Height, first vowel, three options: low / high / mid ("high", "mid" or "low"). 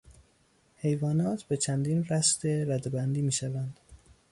mid